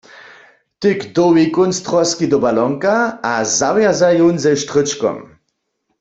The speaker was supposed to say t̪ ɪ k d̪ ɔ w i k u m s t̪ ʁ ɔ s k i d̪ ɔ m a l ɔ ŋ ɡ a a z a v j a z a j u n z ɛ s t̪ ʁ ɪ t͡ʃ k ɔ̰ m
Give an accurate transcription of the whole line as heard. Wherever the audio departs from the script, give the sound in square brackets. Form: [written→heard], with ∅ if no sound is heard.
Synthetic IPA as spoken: t̪ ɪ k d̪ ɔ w i k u [m→n] s t̪ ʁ ɔ s k i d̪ ɔ [m→b] a l ɔ ŋ [ɡ→k] a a z a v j a z a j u n z ɛ [s→ʃ] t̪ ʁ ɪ t͡ʃ k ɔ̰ m